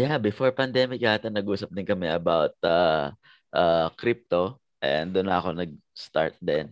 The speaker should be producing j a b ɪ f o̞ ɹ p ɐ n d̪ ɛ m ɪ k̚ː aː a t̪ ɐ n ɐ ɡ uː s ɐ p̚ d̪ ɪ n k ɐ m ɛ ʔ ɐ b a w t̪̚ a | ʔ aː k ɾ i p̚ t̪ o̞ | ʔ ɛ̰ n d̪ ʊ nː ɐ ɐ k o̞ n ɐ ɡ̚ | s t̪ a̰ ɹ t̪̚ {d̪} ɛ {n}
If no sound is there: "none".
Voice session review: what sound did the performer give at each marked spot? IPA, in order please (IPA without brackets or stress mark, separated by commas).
d̪, n